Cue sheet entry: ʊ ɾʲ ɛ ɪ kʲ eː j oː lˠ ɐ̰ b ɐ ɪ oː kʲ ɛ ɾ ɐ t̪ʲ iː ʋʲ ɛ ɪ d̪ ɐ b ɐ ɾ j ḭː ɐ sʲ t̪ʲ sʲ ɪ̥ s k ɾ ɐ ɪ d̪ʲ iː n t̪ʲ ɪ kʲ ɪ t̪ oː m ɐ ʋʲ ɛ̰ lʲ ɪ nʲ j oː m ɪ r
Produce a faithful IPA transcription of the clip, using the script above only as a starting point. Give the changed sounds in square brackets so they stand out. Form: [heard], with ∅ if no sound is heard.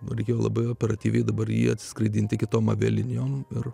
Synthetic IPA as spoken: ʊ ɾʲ ɛ ɪ kʲ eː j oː lˠ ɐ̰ b ɐ ɪ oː [pʲ] ɛ ɾ ɐ t̪ʲ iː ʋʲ ɛ ɪ d̪ ɐ b ɐ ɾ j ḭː ɐ [∅] t̪ʲ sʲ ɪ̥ s k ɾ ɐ ɪ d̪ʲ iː n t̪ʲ ɪ kʲ ɪ t̪ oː m ɐ ʋʲ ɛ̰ lʲ ɪ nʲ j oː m ɪ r